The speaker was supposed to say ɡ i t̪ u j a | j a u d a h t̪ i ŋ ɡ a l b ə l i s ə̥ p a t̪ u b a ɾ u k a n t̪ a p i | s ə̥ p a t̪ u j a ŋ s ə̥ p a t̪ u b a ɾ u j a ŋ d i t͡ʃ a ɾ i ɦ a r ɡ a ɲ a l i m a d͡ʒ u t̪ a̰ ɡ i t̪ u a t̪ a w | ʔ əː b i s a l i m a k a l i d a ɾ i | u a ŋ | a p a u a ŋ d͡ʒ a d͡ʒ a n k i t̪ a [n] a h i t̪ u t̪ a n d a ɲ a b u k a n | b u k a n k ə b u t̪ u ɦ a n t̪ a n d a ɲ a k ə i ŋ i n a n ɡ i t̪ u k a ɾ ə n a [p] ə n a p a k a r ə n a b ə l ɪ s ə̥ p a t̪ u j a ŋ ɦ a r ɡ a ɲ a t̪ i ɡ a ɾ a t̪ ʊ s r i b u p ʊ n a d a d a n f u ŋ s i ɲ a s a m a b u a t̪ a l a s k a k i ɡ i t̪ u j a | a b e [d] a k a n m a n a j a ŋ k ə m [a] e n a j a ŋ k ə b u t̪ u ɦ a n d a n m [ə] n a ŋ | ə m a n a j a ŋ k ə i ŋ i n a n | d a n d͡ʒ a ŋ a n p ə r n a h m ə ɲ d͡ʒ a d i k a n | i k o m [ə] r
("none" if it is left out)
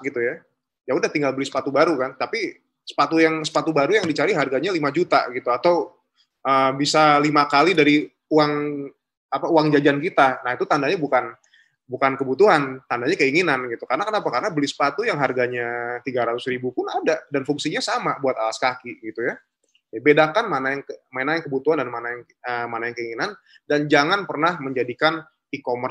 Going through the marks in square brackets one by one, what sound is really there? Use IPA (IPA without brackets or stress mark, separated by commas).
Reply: n, k, d, a, a, ə